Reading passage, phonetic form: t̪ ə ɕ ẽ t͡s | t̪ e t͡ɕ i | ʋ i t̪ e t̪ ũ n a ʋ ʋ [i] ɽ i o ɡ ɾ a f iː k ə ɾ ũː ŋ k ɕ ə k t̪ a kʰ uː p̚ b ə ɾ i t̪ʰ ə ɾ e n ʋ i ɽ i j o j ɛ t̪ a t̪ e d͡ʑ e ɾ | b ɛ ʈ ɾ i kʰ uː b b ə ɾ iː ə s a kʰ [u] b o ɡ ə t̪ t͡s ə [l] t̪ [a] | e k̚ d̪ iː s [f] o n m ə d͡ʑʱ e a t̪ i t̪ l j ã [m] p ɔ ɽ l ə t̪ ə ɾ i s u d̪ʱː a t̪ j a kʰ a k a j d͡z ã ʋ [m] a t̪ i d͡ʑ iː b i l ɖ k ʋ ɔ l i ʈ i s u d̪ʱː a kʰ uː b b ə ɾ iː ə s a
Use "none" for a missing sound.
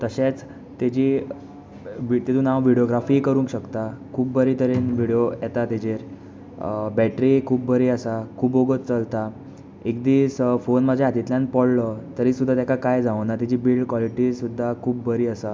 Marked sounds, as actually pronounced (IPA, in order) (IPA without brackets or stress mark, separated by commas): i, uː, l, a, f, n, n